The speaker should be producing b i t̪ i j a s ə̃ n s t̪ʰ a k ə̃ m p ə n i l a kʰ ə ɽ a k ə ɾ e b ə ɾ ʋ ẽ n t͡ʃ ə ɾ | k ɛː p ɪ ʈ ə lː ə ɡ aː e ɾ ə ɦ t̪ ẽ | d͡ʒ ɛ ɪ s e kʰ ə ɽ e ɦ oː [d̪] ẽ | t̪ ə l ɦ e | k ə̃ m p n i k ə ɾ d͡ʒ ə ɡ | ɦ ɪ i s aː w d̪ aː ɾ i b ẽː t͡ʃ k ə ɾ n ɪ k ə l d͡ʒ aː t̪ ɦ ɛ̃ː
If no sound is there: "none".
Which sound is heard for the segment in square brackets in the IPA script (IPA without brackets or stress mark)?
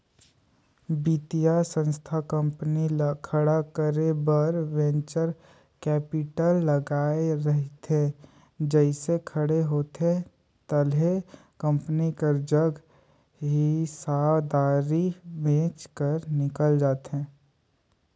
t̪